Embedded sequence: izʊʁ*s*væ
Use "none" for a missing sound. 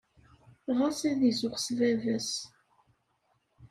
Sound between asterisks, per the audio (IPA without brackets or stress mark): s